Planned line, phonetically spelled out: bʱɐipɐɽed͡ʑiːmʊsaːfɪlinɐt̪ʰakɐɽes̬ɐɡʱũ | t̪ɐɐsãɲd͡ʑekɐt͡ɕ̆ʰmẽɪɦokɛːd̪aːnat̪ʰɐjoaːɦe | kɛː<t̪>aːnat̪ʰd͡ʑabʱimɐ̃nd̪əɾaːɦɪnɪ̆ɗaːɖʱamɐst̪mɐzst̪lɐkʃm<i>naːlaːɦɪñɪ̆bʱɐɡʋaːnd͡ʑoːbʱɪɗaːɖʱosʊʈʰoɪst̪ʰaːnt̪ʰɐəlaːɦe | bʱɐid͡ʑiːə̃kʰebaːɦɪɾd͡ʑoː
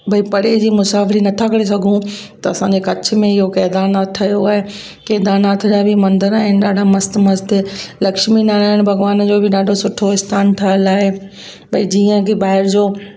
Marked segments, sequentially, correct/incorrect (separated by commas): incorrect, correct